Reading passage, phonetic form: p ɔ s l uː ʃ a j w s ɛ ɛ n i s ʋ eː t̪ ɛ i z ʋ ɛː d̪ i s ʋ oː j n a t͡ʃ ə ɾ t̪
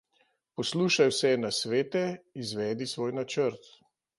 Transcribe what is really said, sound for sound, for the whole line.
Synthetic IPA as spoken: p ɔ s l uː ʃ a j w s ɛ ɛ n a s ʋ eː t̪ ɛ i z ʋ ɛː d̪ i s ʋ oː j n a t͡ʃ ə ɾ t̪

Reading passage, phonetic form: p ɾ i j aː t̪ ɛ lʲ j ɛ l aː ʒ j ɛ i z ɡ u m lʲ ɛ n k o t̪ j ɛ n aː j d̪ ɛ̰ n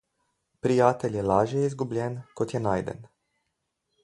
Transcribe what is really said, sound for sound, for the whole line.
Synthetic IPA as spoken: p ɾ i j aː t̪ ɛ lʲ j ɛ l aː ʒ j ɛ i z ɡ u b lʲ ɛ n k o t̪ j ɛ n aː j d̪ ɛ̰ n

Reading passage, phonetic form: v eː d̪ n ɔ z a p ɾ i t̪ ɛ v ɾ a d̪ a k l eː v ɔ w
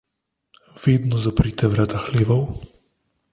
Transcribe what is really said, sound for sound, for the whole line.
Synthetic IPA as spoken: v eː d̪ n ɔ z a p ɾ i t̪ ɛ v ɾ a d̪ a x l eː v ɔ w

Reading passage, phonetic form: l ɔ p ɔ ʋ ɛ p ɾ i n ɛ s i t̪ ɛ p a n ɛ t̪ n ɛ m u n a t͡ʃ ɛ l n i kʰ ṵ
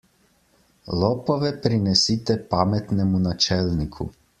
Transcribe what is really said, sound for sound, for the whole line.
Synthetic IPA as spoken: l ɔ p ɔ ʋ ɛ p ɾ i n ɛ s i t̪ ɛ p a m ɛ t̪ n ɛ m u n a t͡ʃ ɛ l n i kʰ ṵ

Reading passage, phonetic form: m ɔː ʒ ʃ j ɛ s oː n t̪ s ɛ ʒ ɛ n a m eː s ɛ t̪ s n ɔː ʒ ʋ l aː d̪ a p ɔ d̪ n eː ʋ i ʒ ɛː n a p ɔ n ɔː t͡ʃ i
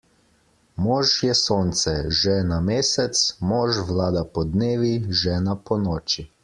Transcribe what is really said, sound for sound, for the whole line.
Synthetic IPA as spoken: m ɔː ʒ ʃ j ɛ s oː n t̪ s ɛ ʒ ɛ n a m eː s ɛ t̪ s m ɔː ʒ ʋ l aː d̪ a p ɔ d̪ n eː ʋ i ʒ ɛː n a p ɔ n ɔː t͡ʃ i

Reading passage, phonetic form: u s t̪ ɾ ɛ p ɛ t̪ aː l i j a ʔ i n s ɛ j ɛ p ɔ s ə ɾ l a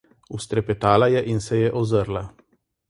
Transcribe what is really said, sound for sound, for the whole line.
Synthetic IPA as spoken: u s t̪ ɾ ɛ p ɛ t̪ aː l a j ɛ ʔ i n s ɛ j ɛ ʔ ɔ z ə ɾ l a

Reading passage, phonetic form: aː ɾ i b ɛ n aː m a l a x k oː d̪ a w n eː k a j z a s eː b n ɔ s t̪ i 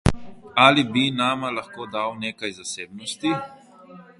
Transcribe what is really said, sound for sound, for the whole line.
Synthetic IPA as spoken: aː l i b i n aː m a l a x k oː d̪ a w n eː k a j z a s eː b n ɔ s t̪ i

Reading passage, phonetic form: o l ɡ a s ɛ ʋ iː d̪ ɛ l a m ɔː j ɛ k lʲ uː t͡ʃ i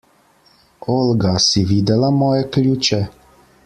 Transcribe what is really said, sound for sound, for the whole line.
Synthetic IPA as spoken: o l ɡ a s i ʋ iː d̪ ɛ l a m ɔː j ɛ k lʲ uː t͡ʃ ɛ

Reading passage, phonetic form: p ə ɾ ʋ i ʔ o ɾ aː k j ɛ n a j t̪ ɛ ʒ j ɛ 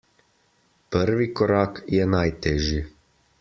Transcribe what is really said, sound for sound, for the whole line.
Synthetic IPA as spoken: p ə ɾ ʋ i k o ɾ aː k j ɛ n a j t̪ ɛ ʒ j i

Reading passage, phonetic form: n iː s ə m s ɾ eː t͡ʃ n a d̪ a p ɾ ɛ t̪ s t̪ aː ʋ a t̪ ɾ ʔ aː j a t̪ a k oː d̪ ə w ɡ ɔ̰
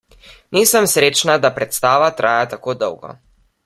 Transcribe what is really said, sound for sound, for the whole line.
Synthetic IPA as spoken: n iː s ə m s ɾ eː t͡ʃ n a d̪ a p ɾ ɛ t̪ s t̪ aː ʋ a t̪ ɾ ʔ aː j a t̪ a k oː d̪ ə w ɡ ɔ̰

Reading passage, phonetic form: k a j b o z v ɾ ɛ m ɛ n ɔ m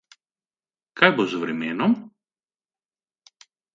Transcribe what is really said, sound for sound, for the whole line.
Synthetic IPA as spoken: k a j b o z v ɾ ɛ m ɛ n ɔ m

